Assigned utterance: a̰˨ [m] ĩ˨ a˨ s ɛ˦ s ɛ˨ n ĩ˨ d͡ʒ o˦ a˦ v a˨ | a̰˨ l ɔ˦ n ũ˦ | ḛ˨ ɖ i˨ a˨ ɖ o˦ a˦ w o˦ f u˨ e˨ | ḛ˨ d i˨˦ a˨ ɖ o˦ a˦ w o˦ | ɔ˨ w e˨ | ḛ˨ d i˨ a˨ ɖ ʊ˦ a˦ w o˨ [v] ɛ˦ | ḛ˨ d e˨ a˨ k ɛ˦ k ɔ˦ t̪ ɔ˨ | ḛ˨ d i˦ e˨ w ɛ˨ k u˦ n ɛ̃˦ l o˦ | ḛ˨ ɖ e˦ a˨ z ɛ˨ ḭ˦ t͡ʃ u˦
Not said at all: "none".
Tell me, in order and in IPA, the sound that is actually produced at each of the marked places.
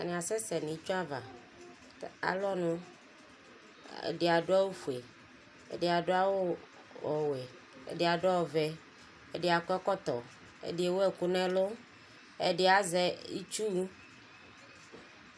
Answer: n, v

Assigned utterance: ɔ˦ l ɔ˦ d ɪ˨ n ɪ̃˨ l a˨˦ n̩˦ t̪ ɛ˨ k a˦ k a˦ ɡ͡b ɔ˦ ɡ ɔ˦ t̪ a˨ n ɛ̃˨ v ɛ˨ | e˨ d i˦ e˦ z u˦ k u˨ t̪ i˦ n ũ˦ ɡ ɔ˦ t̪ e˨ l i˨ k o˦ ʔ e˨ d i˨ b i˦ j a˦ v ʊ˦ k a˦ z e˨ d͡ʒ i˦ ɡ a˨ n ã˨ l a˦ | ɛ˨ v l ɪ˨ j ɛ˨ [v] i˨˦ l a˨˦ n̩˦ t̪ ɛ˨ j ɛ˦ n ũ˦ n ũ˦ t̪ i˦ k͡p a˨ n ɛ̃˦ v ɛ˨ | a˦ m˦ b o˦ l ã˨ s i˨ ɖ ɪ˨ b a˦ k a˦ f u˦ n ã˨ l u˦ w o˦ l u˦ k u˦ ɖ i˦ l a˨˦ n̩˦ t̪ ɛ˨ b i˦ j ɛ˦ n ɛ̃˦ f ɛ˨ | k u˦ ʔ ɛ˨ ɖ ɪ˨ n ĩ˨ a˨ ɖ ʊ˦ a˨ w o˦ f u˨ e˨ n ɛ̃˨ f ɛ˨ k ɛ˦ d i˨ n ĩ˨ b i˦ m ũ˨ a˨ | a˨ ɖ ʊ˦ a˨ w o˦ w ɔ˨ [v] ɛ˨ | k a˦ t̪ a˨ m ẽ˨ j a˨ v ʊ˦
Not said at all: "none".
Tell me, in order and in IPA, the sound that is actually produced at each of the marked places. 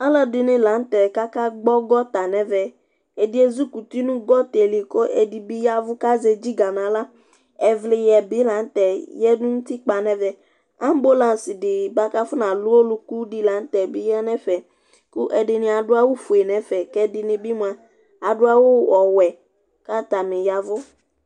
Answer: b, w

